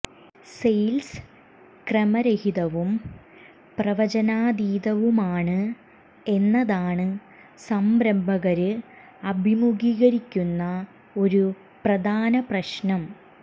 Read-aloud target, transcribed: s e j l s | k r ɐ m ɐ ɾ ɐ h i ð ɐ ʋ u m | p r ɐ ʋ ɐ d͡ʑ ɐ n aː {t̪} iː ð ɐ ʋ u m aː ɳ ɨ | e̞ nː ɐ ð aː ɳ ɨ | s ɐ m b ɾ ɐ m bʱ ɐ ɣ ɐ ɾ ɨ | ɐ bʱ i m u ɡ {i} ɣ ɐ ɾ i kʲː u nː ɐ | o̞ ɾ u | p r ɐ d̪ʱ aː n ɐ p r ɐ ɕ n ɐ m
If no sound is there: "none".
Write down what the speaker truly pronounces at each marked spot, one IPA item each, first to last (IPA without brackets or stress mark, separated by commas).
d̪, iː